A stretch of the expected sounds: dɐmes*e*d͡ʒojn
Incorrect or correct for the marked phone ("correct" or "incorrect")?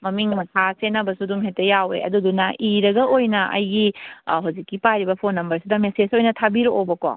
correct